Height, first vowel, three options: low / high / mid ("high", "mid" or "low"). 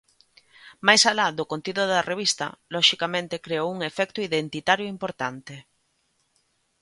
low